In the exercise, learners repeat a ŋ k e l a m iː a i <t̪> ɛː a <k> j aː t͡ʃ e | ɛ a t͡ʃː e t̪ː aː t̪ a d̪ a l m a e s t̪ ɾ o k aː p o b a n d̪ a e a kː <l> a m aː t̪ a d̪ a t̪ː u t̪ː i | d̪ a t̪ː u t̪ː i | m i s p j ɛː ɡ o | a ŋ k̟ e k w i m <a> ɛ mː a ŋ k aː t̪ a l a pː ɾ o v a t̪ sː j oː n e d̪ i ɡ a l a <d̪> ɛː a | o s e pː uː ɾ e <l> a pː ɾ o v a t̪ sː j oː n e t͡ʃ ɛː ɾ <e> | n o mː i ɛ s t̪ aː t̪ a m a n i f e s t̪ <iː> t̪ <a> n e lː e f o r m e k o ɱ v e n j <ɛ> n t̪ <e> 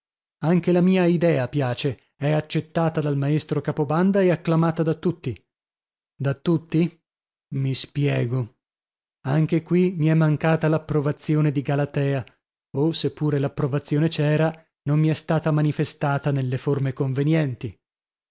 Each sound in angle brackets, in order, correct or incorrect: incorrect: d̪, incorrect: p, correct, incorrect: i, incorrect: t̪, correct, incorrect: a, incorrect: aː, correct, correct, incorrect: i

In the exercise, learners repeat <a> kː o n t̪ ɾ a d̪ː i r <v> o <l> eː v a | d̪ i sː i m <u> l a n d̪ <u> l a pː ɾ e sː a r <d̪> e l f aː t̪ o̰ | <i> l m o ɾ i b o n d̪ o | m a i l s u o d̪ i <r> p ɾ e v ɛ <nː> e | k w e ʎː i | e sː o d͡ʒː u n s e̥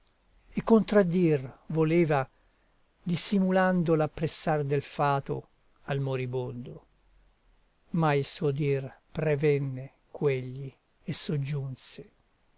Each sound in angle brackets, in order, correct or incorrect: incorrect: e, correct, correct, correct, incorrect: o, correct, incorrect: a, correct, correct

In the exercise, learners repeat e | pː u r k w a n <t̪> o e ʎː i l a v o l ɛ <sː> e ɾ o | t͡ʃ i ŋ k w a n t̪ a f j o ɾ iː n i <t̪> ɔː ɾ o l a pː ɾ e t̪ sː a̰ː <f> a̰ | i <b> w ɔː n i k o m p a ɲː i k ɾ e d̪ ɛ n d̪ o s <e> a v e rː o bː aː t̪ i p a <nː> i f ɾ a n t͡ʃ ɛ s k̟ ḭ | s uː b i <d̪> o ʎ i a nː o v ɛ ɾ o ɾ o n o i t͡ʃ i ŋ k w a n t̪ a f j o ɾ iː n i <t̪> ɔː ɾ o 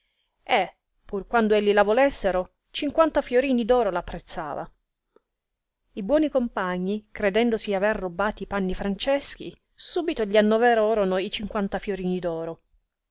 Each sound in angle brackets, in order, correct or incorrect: incorrect: d̪, correct, incorrect: d̪, incorrect: v, correct, incorrect: i, correct, incorrect: t̪, incorrect: d̪

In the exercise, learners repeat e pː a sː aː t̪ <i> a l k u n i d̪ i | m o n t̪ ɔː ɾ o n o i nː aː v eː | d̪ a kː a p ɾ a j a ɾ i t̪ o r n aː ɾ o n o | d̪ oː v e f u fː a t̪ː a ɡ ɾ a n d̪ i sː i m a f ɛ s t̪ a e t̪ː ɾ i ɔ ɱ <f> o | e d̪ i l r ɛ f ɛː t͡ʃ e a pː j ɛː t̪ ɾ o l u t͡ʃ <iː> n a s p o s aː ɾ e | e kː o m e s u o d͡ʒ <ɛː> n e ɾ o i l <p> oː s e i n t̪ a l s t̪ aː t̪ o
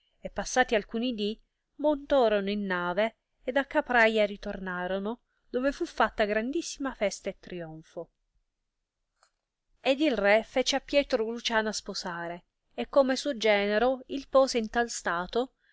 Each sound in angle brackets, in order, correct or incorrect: correct, correct, incorrect: aː, correct, correct

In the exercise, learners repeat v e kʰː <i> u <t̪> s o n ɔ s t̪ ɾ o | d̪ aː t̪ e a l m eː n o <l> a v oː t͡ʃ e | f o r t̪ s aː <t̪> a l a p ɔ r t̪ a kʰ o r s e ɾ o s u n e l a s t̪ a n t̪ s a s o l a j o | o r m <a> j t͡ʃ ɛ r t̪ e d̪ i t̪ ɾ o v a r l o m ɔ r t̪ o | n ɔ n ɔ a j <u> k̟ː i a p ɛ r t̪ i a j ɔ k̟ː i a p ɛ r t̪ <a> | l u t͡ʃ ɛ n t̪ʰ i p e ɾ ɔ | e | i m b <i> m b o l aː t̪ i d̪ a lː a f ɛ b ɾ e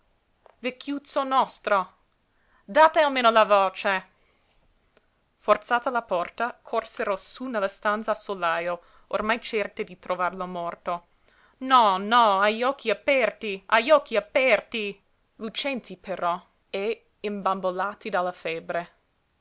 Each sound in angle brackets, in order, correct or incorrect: incorrect: j, correct, correct, correct, correct, incorrect: ɔ, incorrect: i, incorrect: a

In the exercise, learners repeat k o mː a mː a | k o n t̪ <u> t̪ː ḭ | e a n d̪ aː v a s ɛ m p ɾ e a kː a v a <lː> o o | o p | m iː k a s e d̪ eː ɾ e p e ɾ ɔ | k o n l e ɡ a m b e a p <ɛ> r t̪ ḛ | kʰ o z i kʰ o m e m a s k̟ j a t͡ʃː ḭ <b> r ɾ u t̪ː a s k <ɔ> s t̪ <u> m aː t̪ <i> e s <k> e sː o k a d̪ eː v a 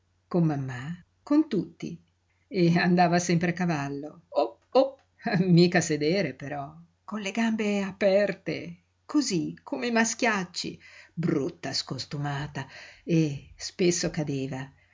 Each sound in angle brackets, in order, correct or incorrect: correct, correct, correct, correct, incorrect: o, correct, incorrect: a, incorrect: p

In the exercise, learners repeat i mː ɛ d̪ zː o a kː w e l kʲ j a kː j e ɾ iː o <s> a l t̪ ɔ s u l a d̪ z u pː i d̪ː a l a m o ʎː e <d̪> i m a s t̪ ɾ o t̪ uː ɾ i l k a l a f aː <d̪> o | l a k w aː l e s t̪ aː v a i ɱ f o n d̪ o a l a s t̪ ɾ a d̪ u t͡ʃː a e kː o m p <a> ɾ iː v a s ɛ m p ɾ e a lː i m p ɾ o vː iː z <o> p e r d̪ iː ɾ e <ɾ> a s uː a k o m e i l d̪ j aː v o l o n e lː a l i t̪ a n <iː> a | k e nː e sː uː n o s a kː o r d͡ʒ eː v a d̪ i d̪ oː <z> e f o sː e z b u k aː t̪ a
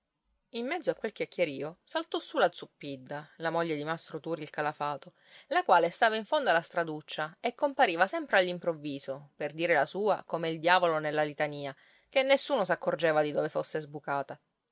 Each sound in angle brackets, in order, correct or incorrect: correct, correct, incorrect: t̪, correct, correct, incorrect: l, correct, incorrect: v

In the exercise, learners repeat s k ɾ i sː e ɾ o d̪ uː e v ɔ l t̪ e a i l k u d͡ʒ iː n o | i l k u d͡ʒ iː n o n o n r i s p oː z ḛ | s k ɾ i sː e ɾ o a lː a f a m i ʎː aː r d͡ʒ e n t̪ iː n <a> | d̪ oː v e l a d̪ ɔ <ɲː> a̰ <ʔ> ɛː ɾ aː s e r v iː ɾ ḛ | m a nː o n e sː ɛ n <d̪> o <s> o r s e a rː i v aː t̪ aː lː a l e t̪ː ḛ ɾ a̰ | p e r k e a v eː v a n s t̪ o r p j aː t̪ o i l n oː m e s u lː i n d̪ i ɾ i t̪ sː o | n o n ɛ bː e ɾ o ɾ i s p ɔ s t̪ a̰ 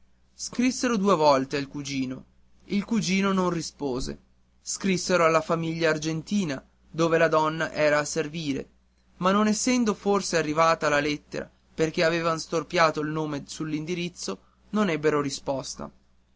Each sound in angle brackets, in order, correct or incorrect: correct, incorrect: nː, correct, correct, incorrect: f

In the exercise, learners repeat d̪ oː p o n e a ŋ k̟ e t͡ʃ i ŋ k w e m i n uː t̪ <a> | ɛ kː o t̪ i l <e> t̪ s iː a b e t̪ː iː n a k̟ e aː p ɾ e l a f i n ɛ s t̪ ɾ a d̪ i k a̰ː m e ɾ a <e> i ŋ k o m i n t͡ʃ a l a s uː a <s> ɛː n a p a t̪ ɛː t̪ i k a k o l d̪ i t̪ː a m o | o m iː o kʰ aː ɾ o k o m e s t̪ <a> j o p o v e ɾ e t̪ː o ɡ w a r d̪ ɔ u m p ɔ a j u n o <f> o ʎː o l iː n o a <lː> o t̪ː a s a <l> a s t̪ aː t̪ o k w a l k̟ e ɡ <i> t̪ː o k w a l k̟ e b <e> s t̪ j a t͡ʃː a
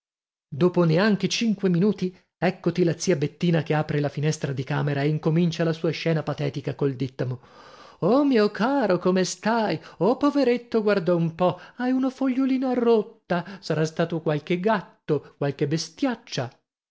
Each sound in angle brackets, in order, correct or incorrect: incorrect: i, incorrect: a, correct, incorrect: ʃ, correct, correct, incorrect: rː, incorrect: ɾ, incorrect: a, correct

